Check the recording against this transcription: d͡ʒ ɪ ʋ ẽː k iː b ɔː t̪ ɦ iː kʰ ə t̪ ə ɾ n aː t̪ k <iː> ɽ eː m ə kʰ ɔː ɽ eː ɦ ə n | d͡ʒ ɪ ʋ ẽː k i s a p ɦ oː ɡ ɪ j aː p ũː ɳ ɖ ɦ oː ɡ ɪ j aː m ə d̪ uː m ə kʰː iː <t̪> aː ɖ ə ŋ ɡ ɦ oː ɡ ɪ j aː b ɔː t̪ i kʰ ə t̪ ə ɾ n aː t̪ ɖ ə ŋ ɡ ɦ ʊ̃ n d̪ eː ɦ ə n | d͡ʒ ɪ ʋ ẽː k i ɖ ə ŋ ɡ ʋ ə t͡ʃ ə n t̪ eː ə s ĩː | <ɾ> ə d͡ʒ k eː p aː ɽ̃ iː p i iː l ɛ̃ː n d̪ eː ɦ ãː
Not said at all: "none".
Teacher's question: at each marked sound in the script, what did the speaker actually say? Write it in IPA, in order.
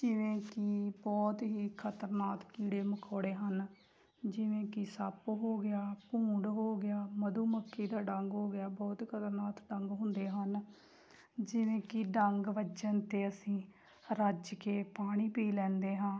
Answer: iː, d̪, ɾ

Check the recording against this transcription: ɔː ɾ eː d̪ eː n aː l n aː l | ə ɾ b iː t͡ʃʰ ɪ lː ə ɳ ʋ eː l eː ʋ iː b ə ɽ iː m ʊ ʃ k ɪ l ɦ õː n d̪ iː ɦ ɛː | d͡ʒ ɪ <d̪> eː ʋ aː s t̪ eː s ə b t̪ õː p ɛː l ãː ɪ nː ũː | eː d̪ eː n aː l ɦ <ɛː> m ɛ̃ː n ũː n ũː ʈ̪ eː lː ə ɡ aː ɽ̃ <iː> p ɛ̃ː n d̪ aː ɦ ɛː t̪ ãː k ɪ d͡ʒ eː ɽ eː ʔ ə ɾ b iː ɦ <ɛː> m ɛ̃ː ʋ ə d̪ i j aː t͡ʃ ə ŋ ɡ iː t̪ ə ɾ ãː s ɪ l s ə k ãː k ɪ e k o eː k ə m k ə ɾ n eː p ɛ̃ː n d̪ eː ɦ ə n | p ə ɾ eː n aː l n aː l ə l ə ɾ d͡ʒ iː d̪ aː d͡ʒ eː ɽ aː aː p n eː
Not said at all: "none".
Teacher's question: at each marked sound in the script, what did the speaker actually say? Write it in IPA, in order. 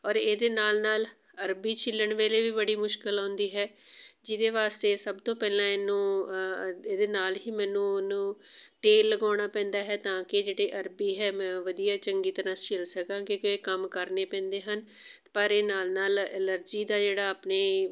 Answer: d̪, iː, aː, ɛː

